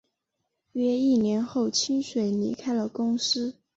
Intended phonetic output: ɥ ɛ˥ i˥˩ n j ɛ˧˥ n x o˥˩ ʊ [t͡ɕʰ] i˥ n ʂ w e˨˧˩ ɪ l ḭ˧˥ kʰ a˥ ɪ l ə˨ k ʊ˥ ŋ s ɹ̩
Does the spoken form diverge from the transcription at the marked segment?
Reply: no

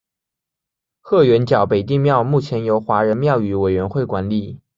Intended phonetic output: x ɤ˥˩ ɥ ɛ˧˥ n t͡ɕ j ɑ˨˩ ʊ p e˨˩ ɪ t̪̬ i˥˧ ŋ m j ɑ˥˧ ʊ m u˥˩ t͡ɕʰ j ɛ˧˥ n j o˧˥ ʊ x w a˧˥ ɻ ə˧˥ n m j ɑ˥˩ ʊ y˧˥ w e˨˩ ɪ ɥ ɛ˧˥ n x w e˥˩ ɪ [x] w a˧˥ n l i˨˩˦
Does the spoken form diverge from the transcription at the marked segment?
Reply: yes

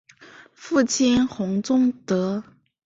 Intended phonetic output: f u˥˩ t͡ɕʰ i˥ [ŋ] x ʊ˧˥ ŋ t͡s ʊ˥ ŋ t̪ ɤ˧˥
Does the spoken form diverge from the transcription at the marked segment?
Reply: yes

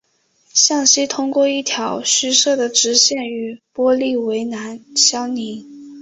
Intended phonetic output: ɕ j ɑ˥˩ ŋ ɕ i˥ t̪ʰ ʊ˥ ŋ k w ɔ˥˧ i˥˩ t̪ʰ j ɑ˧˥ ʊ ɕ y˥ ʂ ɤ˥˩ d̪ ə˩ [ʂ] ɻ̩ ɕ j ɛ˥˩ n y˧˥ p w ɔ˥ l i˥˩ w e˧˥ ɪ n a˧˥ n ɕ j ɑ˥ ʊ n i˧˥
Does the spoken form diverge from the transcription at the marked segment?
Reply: yes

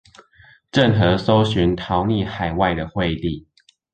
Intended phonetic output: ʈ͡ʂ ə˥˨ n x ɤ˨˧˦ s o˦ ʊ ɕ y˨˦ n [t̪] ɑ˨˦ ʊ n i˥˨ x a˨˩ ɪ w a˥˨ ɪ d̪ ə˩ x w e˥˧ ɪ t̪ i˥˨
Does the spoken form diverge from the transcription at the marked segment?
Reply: yes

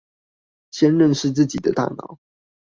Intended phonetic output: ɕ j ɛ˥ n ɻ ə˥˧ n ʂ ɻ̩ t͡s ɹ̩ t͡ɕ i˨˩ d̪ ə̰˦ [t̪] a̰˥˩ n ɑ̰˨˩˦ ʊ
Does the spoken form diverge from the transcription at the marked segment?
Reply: no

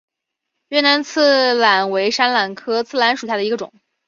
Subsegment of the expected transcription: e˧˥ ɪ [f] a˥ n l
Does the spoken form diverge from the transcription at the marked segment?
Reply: yes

